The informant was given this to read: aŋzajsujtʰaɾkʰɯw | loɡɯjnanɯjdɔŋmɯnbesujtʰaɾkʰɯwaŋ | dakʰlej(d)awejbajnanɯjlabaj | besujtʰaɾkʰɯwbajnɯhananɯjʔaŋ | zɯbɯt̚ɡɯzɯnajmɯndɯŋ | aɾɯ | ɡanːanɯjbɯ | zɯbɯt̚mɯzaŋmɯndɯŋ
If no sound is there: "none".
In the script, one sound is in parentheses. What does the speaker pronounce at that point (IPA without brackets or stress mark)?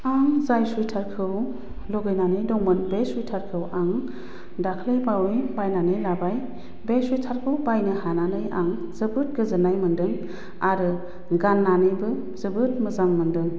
b